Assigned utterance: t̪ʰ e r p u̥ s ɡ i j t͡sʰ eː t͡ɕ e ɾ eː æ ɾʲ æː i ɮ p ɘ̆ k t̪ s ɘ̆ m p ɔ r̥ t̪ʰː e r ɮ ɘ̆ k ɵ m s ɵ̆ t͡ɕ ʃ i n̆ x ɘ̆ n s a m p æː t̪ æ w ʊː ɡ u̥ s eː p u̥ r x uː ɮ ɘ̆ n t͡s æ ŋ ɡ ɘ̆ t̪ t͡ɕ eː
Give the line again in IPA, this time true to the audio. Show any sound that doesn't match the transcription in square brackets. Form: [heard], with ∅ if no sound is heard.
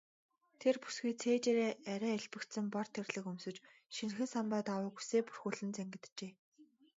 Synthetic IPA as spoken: t̪ʰ e r p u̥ s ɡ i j t͡sʰ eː t͡ɕ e ɾ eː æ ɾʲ æː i ɮ p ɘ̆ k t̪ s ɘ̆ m p ɔ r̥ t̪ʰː e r ɮ ɘ̆ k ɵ m s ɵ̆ t͡ɕ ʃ i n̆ x ɘ̆ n s a m p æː t̪ [a] w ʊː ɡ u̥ s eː p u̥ r x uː ɮ ɘ̆ n t͡s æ ŋ ɡ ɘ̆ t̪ t͡ɕ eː